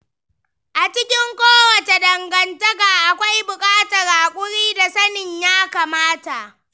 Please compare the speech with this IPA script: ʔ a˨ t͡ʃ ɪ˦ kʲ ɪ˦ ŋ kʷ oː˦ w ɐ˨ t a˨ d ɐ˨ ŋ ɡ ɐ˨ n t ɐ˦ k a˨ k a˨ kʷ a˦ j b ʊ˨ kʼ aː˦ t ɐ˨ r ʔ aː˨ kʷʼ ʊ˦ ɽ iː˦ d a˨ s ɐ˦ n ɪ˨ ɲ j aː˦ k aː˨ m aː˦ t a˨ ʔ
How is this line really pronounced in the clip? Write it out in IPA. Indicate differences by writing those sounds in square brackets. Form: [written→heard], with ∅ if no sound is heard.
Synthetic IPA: ʔ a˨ t͡ʃ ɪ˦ kʲ ɪ˦ ŋ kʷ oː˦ w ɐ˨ t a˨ d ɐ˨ ŋ ɡ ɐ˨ n t ɐ˦ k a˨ [k→ʔ] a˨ kʷ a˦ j b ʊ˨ kʼ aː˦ t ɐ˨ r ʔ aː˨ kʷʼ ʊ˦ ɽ iː˦ d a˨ s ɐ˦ n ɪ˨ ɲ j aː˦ k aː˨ m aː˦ t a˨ ʔ